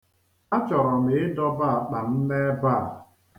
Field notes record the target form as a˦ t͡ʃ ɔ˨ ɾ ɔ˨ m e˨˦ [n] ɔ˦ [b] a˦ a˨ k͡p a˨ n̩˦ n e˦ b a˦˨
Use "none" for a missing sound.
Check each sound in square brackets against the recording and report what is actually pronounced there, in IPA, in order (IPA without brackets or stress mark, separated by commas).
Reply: d, b